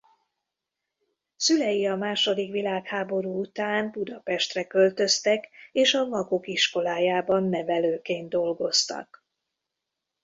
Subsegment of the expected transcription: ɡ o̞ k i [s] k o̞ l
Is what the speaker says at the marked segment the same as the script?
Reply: no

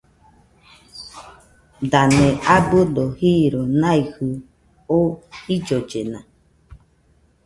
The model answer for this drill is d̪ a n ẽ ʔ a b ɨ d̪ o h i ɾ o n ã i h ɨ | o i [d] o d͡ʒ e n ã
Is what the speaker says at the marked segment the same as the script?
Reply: no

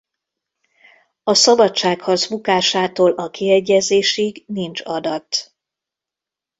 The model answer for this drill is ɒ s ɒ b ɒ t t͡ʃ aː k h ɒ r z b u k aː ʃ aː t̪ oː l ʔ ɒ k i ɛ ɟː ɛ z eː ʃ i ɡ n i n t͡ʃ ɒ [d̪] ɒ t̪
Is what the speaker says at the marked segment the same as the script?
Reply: yes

